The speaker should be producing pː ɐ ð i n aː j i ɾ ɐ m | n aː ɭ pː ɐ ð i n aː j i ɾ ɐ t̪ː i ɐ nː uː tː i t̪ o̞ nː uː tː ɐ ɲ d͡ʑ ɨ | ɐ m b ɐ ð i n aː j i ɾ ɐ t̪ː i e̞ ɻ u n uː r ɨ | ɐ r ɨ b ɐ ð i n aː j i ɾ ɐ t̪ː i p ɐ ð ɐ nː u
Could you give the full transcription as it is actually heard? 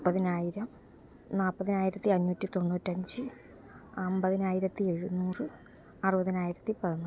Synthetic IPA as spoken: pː ɐ ð i n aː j i ɾ ɐ m | n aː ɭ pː ɐ ð i n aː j i ɾ ɐ t̪ː i ɐ nː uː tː i t̪ o̞ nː uː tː ɐ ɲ d͡ʑ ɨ | ɐ m b ɐ ð i n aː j i ɾ ɐ t̪ː i e̞ ɻ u n uː r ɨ | ɐ r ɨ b ɐ ð i n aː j i ɾ ɐ t̪ː i p ɐ ð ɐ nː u